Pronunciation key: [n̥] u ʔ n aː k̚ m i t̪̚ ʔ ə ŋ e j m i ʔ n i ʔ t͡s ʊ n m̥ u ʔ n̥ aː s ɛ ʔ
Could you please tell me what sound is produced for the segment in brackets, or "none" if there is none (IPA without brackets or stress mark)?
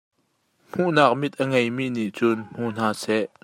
m̥